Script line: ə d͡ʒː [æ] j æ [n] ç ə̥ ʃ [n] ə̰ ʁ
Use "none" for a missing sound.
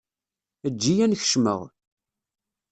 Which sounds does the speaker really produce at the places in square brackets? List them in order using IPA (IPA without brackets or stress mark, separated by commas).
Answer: i, n, m